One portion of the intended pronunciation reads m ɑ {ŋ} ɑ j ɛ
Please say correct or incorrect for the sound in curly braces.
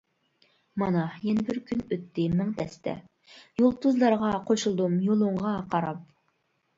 incorrect